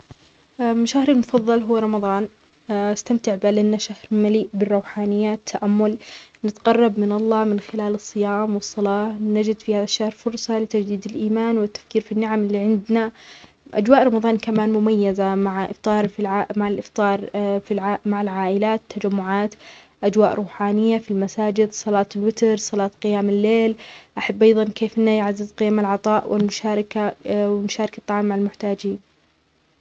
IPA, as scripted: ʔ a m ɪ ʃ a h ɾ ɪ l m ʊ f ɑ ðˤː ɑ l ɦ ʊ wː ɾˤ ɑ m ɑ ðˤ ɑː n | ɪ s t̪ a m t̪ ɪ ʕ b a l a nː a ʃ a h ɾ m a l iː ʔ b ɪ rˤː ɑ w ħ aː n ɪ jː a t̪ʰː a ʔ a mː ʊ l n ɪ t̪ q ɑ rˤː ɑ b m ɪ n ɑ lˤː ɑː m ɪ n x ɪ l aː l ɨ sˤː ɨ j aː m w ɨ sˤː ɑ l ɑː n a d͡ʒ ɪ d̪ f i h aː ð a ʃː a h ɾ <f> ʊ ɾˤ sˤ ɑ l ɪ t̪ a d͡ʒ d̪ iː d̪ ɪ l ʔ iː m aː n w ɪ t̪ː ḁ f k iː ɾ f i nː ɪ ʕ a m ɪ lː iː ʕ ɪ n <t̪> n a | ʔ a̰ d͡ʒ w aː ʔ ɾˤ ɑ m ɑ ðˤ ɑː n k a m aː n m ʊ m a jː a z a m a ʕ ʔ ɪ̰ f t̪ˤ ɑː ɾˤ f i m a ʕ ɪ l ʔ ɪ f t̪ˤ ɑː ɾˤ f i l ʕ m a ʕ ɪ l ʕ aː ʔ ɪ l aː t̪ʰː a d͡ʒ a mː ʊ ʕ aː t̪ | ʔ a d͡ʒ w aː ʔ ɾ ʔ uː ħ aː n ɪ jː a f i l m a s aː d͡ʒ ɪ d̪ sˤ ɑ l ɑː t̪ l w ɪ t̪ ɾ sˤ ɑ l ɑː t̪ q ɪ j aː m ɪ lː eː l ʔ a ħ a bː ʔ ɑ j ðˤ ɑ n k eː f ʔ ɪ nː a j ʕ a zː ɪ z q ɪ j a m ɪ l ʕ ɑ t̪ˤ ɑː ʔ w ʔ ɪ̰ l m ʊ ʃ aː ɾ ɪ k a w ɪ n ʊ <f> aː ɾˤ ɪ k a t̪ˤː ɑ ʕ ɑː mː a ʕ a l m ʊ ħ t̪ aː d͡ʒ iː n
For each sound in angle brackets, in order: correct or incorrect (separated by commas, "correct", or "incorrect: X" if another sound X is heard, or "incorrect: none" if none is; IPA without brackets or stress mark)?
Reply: correct, incorrect: d̪, incorrect: ʃ